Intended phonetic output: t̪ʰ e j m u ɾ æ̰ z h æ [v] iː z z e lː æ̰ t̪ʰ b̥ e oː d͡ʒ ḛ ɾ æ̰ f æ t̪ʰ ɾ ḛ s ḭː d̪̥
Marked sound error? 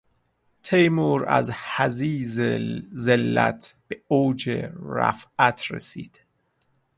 yes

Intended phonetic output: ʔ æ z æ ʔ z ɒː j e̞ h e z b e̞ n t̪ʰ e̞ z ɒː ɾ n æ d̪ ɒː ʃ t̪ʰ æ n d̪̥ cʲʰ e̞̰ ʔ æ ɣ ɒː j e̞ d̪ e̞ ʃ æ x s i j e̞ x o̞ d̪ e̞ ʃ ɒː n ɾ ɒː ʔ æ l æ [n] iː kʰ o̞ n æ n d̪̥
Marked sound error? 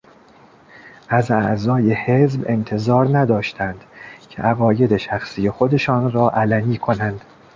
no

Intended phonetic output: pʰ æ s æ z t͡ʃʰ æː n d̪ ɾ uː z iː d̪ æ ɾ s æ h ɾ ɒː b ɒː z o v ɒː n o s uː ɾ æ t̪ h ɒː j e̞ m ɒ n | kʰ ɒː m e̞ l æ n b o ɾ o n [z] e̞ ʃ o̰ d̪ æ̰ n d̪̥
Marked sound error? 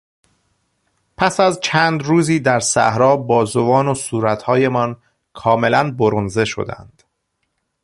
no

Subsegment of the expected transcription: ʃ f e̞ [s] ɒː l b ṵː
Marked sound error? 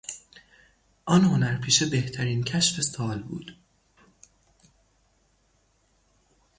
no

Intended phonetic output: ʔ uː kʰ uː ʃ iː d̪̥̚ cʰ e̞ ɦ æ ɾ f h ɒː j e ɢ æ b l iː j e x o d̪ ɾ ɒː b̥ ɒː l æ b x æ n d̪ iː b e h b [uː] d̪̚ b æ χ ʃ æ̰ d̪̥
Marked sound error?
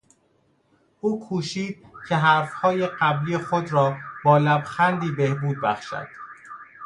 no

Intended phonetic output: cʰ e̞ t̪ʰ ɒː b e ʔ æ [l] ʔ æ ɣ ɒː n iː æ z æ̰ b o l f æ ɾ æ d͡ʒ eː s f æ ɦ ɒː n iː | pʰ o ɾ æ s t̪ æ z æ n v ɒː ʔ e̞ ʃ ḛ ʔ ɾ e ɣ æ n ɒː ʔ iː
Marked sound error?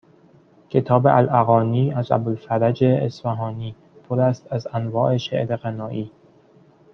no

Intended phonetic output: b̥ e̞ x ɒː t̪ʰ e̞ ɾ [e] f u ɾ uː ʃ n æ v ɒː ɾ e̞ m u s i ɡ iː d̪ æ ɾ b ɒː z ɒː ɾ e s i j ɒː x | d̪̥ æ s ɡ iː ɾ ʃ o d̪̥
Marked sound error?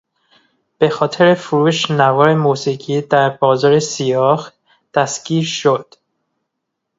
no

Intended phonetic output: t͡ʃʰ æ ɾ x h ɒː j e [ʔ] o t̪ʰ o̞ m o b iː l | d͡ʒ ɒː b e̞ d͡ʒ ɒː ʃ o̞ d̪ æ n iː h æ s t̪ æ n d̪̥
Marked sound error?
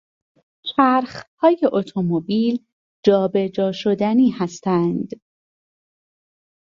no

